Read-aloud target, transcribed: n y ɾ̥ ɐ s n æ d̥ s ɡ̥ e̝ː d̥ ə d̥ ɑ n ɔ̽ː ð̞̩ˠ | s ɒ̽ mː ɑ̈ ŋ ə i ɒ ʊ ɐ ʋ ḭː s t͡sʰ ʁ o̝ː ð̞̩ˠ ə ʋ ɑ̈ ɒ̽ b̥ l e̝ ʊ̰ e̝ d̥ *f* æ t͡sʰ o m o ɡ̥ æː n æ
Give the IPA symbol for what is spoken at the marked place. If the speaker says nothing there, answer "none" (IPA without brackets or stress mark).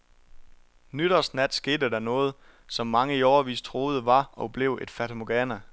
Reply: f